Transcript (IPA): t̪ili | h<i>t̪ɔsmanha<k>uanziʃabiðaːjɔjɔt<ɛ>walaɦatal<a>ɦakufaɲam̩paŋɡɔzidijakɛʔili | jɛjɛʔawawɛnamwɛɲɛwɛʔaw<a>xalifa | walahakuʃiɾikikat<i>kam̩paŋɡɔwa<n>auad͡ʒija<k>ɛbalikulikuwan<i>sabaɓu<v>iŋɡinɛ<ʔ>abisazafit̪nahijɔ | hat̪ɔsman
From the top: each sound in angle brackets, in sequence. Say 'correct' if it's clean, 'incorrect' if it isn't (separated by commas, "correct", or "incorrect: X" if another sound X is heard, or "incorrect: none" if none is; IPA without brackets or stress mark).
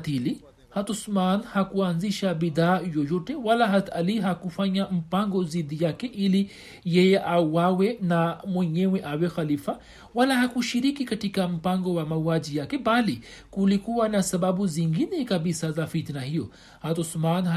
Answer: incorrect: a, correct, correct, incorrect: i, incorrect: ɛ, correct, incorrect: m, correct, incorrect: a, incorrect: z, incorrect: k